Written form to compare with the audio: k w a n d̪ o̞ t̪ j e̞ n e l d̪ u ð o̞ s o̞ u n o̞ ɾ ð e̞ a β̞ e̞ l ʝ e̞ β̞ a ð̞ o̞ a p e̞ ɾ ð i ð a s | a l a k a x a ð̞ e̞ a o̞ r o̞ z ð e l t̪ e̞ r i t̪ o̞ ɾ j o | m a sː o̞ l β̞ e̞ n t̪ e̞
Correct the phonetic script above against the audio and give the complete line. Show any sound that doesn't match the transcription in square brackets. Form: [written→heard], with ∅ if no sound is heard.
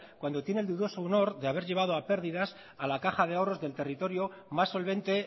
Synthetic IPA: k w a n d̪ o̞ t̪ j e̞ n e l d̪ u ð o̞ s o̞ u n o̞ ɾ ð e̞ a β̞ e̞ [l→ɾ] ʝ e̞ β̞ a ð̞ o̞ a p e̞ ɾ ð i ð a s | a l a k a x a ð̞ e̞ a o̞ r o̞ z ð e l t̪ e̞ r i t̪ o̞ ɾ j o | m a sː o̞ l β̞ e̞ n t̪ e̞